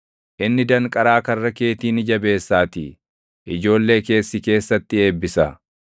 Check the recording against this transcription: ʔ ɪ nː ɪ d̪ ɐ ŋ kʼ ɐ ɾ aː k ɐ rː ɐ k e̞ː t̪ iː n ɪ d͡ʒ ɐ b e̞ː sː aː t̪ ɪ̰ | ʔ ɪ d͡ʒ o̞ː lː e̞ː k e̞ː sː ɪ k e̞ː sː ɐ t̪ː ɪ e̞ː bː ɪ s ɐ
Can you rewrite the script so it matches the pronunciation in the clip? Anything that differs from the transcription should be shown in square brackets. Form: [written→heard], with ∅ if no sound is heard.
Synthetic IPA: ʔ ɪ nː ɪ d̪ ɐ ŋ kʼ ɐ ɾ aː k ɐ rː ɐ k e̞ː t̪ iː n ɪ d͡ʒ ɐ b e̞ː sː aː t̪ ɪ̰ | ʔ ɪ d͡ʒ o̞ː lː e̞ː k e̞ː sː ɪ k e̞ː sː ɐ t̪ː ɪ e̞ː bː ɪ s ɐ